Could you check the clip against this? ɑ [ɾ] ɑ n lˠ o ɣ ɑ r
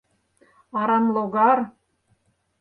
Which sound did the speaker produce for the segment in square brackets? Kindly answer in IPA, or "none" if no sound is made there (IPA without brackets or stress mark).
ɾ